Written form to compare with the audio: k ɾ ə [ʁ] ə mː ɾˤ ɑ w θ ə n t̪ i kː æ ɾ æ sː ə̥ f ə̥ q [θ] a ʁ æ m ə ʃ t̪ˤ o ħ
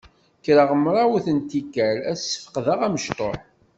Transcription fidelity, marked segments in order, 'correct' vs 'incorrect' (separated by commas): correct, incorrect